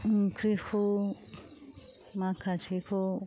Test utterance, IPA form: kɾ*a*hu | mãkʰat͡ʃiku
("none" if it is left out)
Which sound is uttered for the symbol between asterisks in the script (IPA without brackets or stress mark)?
i